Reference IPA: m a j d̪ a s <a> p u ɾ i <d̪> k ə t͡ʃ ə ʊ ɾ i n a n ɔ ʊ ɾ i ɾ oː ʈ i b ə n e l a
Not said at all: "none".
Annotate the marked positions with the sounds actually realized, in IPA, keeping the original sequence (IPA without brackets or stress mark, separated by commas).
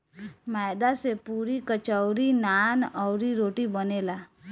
e, none